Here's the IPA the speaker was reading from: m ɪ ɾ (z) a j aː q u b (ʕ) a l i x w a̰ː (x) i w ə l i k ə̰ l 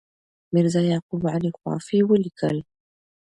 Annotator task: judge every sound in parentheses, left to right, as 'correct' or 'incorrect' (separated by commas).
correct, correct, incorrect